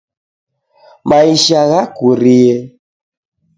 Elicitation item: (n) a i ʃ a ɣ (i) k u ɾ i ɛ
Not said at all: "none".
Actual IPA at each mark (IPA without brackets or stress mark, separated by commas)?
m, a